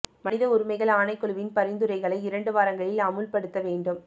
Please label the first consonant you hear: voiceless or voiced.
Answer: voiced